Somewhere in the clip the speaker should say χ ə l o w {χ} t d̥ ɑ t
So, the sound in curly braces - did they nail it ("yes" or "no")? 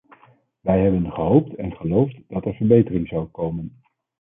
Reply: no